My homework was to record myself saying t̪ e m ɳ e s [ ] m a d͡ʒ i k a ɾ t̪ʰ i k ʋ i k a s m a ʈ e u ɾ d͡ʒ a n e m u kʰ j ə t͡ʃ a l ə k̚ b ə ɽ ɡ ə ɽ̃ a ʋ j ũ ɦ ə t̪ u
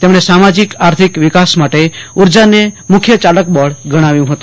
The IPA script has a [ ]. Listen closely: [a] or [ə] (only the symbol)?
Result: a